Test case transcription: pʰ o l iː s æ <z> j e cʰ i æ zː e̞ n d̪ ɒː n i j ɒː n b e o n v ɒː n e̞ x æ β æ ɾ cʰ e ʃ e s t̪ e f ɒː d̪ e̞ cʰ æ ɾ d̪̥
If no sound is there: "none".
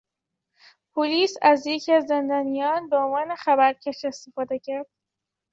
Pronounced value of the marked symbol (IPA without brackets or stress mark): z